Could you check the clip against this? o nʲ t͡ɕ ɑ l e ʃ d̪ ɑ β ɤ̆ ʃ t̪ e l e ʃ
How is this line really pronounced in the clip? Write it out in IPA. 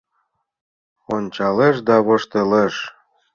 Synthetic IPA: o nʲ t͡ɕ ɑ l e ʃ d̪ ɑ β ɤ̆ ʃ t̪ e l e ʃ